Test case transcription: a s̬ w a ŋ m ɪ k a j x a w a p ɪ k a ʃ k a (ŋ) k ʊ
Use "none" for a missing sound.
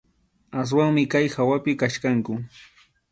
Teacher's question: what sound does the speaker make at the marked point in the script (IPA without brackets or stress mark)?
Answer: ŋ